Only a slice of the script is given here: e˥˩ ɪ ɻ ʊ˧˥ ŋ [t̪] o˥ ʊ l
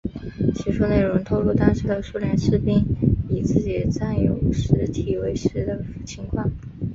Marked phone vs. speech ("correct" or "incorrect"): incorrect